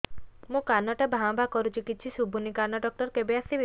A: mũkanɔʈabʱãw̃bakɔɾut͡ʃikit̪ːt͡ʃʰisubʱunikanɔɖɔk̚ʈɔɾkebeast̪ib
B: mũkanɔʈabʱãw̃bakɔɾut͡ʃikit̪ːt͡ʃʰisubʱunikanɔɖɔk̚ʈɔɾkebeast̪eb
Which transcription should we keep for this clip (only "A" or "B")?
A